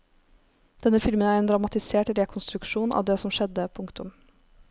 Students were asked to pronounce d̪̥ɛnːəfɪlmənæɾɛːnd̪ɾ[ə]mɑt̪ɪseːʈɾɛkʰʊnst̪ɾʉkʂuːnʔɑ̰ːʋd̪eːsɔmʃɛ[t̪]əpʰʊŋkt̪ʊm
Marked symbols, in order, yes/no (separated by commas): no, no